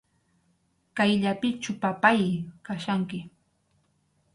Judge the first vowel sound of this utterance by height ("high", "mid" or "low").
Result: low